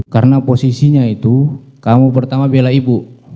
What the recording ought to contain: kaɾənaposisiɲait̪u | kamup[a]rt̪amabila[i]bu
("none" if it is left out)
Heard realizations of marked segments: ə, i

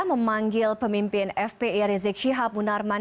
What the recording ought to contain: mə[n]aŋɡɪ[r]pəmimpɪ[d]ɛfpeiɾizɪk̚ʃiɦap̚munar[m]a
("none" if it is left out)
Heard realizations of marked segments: m, l, n, m

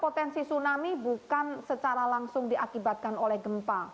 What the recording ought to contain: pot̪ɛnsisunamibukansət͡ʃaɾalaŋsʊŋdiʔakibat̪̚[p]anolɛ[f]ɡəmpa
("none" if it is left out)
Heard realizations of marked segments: k, h

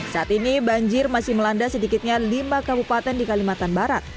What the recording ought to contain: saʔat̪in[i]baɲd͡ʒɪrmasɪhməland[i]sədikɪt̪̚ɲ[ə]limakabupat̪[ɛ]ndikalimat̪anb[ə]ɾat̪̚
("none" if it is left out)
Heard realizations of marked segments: i, a, a, ɛ, a

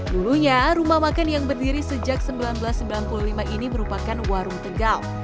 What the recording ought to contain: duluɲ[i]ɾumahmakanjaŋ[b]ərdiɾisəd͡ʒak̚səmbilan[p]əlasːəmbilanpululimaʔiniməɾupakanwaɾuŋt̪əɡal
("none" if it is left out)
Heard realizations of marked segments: a, b, b

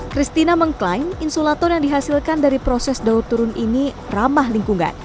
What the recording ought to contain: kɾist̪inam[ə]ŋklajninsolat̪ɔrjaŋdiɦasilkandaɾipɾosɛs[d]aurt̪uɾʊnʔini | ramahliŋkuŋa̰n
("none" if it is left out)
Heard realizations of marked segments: ə, d

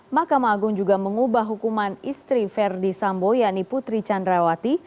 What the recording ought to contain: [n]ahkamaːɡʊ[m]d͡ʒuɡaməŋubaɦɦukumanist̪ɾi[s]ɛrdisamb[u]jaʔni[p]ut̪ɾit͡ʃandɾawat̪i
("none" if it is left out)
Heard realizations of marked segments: m, ŋ, f, o, p

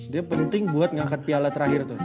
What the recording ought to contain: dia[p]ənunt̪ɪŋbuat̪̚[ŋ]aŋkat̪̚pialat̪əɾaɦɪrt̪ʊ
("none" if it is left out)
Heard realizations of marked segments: p, ŋ

